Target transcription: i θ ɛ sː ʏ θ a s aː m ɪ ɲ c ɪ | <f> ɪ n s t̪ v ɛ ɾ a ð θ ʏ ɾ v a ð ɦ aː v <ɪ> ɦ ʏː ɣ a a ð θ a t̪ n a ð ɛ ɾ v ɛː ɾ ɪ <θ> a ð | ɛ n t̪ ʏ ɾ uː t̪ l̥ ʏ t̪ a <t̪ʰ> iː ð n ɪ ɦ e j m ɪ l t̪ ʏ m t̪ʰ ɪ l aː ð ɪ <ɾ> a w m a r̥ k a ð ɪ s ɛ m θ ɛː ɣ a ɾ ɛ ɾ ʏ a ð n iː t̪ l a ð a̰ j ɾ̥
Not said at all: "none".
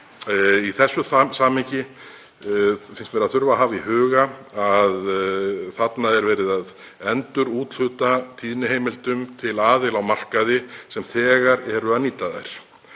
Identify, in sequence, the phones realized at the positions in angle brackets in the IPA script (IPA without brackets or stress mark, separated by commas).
f, i, ð, t̪ʰ, l